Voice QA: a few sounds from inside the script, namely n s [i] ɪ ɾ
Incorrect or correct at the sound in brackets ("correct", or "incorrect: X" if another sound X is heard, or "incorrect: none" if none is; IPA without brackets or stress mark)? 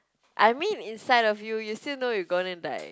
incorrect: a